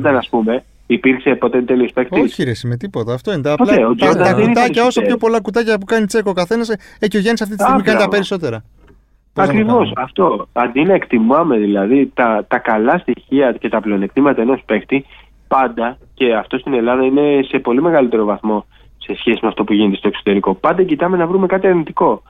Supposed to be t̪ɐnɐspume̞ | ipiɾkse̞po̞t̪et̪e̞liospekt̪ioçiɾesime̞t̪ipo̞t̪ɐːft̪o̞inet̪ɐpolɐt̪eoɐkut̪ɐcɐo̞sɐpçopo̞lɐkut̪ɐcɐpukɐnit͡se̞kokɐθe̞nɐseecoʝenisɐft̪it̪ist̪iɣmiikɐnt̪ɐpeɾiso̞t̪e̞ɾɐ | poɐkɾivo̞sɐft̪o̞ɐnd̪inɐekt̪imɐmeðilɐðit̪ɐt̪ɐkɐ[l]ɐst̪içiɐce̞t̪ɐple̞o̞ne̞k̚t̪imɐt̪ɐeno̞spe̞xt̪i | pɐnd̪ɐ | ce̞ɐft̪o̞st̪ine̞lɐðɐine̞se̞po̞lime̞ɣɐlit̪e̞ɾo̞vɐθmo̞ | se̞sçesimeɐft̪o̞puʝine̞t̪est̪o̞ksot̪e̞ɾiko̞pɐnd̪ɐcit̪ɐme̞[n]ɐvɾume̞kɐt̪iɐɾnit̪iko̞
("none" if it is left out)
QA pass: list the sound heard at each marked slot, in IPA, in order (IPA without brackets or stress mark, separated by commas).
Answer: l, n